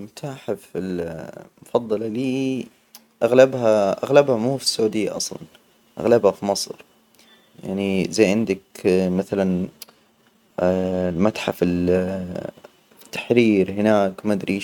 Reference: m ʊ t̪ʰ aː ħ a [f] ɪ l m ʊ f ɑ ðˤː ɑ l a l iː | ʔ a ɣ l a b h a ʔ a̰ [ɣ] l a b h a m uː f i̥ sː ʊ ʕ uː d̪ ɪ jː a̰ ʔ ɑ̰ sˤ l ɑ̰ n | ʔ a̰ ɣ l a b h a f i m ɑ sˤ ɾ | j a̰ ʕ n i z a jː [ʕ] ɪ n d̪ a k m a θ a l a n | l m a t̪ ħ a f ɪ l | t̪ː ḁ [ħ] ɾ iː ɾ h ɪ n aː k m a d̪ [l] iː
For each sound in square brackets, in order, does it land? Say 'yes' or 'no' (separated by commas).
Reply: yes, yes, yes, yes, no